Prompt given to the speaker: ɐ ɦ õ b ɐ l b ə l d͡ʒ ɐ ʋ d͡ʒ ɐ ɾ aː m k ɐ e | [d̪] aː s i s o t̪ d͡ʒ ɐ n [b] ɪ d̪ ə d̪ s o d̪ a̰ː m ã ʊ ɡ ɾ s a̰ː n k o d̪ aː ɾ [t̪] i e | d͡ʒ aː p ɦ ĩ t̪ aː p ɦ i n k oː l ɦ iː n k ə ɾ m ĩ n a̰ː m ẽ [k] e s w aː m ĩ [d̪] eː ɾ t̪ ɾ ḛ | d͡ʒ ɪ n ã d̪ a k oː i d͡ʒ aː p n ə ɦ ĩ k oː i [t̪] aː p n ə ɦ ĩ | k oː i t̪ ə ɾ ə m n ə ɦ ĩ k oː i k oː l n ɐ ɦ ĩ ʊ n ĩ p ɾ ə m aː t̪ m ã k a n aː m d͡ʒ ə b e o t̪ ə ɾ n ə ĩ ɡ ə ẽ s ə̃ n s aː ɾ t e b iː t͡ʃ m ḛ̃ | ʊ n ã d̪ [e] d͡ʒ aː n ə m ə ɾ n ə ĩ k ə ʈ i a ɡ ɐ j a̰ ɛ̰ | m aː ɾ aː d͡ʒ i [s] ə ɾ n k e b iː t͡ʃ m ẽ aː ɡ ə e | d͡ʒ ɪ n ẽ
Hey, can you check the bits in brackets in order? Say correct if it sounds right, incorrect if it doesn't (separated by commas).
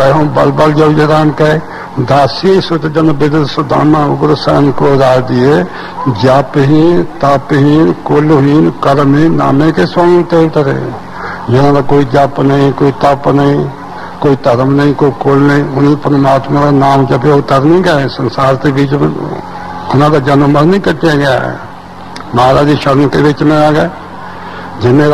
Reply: correct, correct, incorrect, correct, incorrect, correct, incorrect, incorrect